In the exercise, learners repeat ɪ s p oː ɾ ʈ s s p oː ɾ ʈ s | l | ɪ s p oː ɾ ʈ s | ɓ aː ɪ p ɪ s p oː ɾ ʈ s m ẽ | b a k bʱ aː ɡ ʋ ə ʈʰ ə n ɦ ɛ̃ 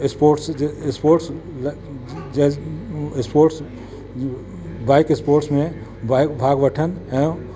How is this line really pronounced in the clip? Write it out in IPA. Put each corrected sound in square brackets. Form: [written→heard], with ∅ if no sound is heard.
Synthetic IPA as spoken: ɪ s p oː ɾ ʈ s s p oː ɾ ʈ s | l | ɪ s p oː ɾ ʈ s | [ɓ→b] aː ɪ [p→k] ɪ s p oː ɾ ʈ s m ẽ | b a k bʱ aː ɡ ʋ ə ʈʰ ə n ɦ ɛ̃